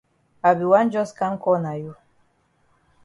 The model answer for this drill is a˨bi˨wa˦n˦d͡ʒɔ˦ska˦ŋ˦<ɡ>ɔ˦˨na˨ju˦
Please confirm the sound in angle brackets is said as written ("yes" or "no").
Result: no